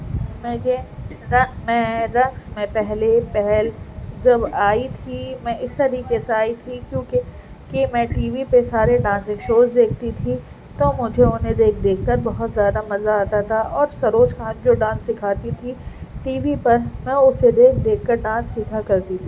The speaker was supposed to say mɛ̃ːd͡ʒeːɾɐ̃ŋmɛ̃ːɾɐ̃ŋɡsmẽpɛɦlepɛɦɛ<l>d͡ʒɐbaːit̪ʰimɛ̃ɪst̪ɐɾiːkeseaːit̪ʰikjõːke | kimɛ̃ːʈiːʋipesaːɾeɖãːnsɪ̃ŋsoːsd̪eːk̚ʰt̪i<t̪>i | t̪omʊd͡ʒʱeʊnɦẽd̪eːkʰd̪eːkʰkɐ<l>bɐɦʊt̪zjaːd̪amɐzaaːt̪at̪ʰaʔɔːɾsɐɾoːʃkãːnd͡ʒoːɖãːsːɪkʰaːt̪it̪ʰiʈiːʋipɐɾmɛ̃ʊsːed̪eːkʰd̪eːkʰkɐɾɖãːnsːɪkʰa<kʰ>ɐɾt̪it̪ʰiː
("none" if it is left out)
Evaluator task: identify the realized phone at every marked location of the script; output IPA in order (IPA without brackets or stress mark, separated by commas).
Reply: l, t̪ʰ, ɾ, k